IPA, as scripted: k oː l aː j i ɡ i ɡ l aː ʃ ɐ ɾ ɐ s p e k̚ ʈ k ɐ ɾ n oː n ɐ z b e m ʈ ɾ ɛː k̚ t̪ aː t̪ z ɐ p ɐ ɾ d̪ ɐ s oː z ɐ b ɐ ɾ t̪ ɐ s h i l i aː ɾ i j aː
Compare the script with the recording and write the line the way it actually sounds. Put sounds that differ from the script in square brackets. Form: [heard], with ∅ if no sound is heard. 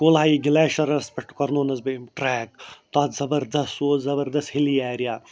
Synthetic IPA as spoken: k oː l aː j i ɡ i [∅] l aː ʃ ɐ ɾ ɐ s p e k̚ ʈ k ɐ ɾ n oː n ɐ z b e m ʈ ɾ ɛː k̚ t̪ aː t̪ z ɐ [b] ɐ ɾ d̪ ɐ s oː z ɐ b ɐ ɾ [d̪] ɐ s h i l i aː ɾ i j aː